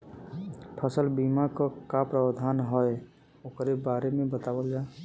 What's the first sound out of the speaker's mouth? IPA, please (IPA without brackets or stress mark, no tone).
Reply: pʰ